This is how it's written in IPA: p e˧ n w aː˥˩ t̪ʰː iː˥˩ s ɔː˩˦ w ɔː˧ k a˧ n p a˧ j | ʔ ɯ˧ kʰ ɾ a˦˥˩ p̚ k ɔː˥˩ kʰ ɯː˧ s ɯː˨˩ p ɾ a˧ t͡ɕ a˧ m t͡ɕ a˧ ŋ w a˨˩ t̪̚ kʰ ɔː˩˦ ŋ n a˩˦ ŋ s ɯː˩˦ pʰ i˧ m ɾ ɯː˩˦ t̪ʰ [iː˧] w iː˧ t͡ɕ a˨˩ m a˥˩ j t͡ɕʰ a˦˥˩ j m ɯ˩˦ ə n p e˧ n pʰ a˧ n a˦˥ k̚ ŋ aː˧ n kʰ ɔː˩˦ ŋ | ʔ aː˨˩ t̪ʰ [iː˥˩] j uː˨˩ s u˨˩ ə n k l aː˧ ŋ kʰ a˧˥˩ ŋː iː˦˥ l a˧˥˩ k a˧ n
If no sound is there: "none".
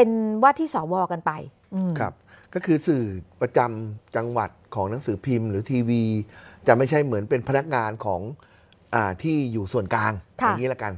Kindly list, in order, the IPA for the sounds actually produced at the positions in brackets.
iː˧, iː˥˩

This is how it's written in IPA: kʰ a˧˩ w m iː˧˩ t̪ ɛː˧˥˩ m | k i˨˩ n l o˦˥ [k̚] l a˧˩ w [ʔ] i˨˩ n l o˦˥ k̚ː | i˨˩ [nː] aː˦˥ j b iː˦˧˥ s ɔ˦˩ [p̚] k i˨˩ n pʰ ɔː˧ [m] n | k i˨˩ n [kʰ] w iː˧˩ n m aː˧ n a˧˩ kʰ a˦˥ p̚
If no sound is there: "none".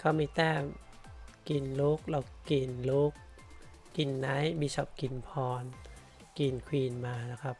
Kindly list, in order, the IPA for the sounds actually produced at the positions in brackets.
k̚, k, nː, p̚, none, kʰ

